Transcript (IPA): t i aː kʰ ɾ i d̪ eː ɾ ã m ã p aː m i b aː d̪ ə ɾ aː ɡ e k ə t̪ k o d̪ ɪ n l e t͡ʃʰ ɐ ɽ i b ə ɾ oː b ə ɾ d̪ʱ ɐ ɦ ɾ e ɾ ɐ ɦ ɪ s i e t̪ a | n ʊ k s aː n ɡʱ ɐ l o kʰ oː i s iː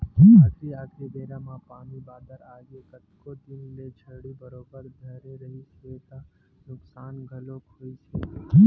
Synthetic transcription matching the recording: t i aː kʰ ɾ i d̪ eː ɾ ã m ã p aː m i b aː d̪ ə ɾ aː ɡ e k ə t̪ k o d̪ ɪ n l e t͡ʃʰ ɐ ɽ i b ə ɾ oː b ə ɾ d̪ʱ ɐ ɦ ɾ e ɾ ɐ ɦ i s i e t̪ a | n ʊ k s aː n ɡʱ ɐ l o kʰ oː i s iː